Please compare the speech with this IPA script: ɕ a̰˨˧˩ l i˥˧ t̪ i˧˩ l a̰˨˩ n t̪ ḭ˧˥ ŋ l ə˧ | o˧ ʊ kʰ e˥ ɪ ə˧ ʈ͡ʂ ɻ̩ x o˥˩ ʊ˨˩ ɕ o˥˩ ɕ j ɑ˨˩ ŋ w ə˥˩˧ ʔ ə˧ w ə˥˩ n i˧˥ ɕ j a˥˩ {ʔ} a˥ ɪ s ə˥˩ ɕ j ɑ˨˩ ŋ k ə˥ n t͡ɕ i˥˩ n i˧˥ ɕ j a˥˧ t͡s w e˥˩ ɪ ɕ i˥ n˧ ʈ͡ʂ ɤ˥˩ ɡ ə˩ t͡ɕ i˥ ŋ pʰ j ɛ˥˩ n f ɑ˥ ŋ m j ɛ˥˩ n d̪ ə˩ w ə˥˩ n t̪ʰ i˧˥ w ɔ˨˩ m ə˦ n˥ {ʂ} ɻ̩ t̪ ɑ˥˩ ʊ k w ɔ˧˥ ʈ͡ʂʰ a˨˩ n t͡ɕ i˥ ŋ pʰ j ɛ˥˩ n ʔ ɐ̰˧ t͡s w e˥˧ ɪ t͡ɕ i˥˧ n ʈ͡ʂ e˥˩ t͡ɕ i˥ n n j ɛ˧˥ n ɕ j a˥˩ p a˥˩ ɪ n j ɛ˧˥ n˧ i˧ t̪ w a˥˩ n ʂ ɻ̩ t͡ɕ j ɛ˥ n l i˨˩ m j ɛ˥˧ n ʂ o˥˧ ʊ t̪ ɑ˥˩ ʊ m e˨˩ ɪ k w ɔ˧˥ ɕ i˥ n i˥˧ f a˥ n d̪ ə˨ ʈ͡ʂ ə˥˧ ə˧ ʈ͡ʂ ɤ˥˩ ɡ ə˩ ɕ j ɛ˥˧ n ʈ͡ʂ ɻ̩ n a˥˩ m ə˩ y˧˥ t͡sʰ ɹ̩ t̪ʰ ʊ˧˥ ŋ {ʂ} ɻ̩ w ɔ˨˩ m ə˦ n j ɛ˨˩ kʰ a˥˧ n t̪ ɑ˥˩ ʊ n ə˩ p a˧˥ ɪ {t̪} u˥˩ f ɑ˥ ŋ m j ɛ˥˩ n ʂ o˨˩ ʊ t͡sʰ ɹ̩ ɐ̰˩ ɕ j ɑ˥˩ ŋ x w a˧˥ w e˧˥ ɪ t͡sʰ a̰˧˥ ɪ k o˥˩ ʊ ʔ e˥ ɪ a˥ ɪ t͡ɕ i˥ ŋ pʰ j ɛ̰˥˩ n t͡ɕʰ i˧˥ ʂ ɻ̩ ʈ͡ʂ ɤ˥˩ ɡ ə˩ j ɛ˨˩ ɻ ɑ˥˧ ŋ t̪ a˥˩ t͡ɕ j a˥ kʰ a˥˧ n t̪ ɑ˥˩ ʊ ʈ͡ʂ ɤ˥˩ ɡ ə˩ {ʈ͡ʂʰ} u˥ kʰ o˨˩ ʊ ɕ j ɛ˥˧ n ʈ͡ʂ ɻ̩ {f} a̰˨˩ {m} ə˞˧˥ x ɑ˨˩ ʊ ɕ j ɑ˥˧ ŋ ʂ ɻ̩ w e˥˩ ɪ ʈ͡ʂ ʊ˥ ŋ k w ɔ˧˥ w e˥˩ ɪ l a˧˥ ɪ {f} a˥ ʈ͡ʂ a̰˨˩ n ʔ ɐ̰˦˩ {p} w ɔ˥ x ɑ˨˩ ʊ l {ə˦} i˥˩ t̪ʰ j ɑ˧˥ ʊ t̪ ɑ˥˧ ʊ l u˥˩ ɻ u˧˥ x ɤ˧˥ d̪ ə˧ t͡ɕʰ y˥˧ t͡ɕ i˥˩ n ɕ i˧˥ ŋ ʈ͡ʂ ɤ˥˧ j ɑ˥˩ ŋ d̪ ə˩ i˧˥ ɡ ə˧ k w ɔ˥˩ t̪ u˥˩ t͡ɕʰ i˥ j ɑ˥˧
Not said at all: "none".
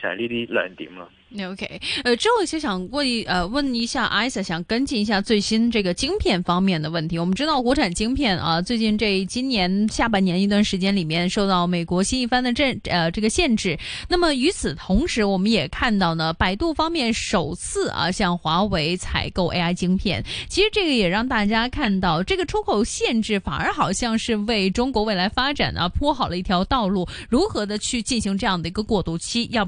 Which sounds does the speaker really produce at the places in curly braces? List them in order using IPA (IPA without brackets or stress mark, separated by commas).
ʔ, ʈ͡ʂ, ʂ, t̪, ʈ͡ʂʰ, f, n, f, pʰ, ə˦